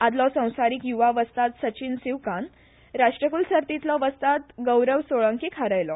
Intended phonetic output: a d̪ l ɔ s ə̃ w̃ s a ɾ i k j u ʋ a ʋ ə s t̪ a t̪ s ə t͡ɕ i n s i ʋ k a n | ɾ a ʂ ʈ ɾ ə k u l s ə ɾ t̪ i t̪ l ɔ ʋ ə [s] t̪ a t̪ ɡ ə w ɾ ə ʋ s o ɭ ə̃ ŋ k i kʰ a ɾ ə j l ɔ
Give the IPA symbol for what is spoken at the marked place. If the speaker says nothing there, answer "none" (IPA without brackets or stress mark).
s